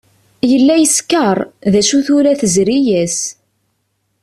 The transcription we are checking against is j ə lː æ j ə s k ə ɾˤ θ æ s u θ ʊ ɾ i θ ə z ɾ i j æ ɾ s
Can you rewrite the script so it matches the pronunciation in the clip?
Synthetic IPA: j ə lː æ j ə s k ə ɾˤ ð æ ʃ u θ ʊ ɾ æ θ ə z ɾ i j æ s